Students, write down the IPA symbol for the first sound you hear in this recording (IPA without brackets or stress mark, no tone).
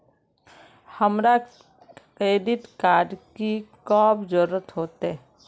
h